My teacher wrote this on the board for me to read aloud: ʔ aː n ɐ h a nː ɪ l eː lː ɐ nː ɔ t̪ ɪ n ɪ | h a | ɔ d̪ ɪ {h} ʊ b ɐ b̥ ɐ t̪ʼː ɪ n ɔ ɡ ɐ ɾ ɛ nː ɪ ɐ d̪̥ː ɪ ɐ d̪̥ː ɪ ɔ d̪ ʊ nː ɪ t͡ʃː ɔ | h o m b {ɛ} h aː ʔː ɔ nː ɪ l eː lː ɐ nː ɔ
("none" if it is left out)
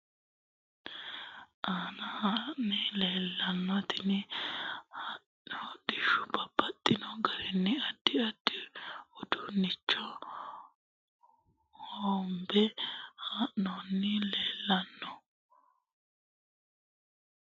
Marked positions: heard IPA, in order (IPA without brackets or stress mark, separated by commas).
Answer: ʃ, ɛ